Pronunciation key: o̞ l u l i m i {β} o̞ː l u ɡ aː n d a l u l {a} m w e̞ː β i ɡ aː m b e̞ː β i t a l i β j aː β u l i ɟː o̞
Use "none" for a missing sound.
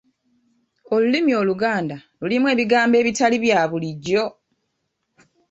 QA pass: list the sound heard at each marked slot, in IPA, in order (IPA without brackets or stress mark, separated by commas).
none, i